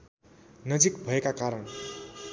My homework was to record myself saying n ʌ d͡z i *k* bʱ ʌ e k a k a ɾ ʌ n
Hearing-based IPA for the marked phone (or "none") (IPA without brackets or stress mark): k